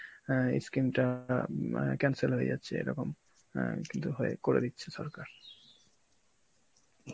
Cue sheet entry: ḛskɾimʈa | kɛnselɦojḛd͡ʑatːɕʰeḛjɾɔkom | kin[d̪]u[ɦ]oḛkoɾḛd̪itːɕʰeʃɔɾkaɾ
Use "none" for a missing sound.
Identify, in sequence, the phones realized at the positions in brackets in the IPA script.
t̪, ɦ

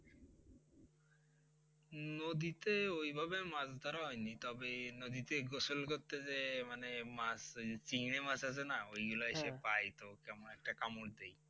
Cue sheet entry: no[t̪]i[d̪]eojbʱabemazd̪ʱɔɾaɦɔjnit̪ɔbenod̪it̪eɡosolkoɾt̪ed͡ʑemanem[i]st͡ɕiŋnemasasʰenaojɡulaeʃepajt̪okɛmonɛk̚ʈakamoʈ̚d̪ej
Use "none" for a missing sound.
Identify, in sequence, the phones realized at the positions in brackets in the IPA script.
d̪, t̪, a

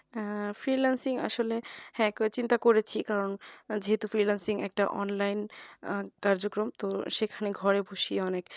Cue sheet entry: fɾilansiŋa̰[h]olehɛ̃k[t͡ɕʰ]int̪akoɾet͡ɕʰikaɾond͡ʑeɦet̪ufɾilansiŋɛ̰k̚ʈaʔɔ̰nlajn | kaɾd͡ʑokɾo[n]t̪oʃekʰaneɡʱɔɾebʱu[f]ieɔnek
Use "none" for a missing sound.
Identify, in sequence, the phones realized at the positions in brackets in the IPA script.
ʃ, t͡ɕ, m, ʃ

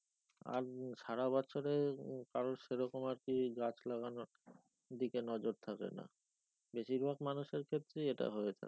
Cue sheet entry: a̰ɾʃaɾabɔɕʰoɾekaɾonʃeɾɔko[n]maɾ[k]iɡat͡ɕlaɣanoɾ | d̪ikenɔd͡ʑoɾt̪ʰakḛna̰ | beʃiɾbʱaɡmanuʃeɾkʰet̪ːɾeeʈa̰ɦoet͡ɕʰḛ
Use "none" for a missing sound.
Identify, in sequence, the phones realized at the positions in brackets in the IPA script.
none, k

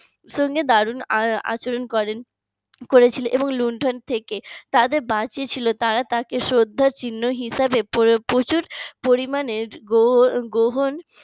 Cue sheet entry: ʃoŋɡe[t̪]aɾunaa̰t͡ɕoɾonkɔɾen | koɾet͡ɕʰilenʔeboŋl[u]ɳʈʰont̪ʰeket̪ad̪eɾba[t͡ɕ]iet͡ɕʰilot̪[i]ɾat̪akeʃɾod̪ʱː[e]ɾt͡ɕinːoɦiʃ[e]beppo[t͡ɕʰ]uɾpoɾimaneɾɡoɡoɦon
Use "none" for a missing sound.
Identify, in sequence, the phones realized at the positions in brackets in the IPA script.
d̪, u, t͡ɕ, a, a, a, t͡ɕ

